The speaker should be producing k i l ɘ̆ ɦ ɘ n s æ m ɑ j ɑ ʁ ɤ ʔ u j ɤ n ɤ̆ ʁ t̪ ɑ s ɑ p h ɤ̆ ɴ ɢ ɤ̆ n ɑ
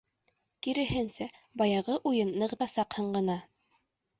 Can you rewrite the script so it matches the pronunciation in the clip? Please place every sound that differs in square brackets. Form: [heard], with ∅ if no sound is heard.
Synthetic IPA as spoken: k i [ɾ] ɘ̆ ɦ ɘ n s æ [b] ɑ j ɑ ʁ ɤ ʔ u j ɤ [nː] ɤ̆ ʁ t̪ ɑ s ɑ [q] h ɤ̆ ɴ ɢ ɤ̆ n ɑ